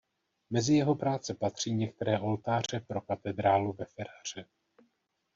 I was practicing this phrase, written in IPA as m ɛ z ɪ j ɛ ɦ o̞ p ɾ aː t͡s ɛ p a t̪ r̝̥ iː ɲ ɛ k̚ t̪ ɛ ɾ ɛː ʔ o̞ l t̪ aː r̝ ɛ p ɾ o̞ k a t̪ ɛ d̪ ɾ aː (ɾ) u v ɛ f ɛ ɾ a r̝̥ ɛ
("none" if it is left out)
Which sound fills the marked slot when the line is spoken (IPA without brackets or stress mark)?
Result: l